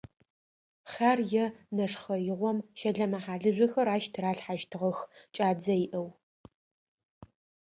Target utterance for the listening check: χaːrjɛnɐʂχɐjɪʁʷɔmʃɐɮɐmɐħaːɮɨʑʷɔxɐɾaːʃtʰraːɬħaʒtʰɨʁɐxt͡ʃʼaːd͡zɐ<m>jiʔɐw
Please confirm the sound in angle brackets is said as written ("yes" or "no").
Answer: no